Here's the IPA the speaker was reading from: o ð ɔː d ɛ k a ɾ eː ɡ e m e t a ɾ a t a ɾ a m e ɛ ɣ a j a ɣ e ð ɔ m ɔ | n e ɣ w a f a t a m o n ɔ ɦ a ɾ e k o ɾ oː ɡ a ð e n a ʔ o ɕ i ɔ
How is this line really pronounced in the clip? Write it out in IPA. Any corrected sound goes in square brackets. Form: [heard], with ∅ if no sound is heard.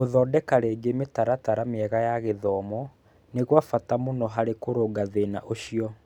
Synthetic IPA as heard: o ð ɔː d ɛ k a ɾ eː ɡ e m e t a ɾ a t a ɾ a m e ɛ ɣ a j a ɣ e ð ɔ m ɔ | n e ɣ w a f a t a m o n ɔ ɦ a ɾ e k o ɾ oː ɡ a ð e n a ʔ o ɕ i ɔ